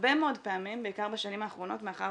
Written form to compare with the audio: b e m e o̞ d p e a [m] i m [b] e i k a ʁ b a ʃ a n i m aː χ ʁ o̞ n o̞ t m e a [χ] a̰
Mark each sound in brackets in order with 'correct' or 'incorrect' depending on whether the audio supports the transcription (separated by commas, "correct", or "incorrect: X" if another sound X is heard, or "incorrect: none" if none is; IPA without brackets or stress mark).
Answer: correct, correct, correct